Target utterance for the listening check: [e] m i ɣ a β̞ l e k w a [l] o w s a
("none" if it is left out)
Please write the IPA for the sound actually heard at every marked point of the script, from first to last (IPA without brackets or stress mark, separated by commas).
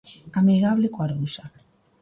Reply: a, ɾ